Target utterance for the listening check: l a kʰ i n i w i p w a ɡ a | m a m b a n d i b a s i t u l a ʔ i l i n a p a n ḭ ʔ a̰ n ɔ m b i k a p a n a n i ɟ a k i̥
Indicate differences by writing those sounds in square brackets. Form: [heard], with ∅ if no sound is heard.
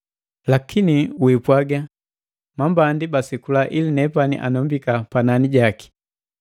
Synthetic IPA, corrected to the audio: l a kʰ i n i w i p w a ɡ a | m a m b a n d i b a s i [k] u l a ʔ i l i n [ɛ] p a n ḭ ʔ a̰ n ɔ m b i k a p a n a n i ɟ a k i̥